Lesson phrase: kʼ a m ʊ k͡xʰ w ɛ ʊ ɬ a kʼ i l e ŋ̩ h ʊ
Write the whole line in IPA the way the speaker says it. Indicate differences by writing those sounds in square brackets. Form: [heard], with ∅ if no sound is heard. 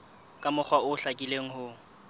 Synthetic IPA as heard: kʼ a m ʊ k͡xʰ w [a] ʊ ɬ a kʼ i l e ŋ̩ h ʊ

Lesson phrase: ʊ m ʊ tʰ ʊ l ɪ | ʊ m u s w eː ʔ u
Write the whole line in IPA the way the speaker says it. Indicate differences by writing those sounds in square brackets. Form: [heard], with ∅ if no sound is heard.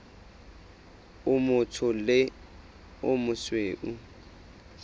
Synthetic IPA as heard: ʊ m ʊ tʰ ʊ l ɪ | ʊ m [ʊ] s w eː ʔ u

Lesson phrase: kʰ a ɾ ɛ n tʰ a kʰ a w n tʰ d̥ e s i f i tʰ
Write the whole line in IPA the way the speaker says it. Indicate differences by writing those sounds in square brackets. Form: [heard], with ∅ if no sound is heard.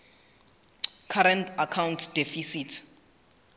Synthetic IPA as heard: kʰ a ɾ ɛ n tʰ a kʰ a w n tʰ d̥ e [f] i [s] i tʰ

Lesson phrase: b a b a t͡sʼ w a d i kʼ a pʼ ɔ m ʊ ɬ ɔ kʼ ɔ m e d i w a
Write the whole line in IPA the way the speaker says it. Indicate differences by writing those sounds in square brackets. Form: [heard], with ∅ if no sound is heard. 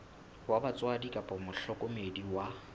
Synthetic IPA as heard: [w] a b a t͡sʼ w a d i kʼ a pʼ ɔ m ʊ ɬ ɔ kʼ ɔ m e d i w a

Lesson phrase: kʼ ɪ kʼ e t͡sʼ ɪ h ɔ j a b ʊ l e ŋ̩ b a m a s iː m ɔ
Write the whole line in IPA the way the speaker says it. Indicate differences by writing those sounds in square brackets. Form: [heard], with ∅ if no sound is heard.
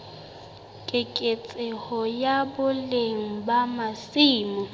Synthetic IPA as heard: kʼ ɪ kʼ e t͡sʼ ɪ h ɔ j a b ʊ l e ŋ̩ b a m a s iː m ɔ

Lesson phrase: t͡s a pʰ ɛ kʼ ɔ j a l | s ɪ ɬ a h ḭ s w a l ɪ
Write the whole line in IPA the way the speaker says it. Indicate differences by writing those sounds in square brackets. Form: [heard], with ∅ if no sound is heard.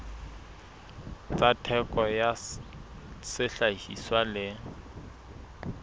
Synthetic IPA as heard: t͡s a [tʰ] ɛ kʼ ɔ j a [∅] | s ɪ ɬ a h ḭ s w a l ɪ

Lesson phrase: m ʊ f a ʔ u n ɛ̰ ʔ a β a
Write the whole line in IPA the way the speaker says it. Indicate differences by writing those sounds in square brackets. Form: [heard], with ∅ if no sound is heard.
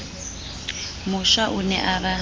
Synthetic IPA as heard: m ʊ [ʃ] a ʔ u n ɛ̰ ʔ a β a

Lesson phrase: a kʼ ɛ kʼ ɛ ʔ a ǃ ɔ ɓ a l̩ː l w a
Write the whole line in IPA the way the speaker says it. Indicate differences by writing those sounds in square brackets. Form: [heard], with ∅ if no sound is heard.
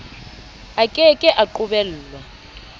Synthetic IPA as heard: a kʼ ɛ kʼ ɛ ʔ a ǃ [u] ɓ [ɛ] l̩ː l w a

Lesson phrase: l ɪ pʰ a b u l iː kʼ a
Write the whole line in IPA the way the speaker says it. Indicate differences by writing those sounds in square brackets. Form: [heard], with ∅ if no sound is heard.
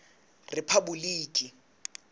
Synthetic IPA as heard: [r] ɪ pʰ a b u l iː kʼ [i]

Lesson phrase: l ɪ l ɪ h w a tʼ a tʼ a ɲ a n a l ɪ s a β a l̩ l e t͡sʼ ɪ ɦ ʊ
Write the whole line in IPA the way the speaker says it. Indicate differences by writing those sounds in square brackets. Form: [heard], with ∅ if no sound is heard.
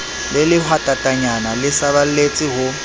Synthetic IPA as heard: l ɪ l ɪ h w a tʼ a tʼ a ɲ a n a l ɪ s a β a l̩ l e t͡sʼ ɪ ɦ ʊ

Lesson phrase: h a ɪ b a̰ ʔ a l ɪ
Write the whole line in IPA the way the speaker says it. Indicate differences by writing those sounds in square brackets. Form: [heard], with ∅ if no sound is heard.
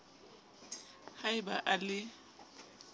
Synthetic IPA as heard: h a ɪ b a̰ ʔ a l ɪ

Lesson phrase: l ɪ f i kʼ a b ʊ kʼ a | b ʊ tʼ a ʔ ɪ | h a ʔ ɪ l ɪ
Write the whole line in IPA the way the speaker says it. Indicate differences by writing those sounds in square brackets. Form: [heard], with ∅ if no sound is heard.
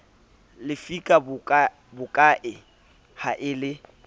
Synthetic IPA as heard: l ɪ f i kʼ a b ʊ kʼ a | b ʊ [kʼ] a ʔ ɪ | h a ʔ ɪ l ɪ

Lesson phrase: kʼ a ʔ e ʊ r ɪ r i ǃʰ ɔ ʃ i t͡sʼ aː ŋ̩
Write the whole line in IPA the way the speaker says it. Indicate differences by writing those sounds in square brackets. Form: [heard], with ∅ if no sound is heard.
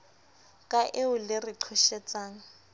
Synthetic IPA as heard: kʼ a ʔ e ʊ [l] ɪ r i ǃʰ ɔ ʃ [ɛ] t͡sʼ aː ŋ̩

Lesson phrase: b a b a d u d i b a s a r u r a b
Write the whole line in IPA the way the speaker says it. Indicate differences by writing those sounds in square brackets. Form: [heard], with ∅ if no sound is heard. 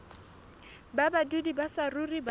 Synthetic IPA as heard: b a b a d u d i b a s a r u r [i] b

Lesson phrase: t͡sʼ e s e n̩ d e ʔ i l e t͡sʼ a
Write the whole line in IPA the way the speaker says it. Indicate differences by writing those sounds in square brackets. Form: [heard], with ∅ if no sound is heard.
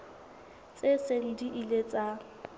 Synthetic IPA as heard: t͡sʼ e s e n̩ d [i] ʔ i l e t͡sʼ a

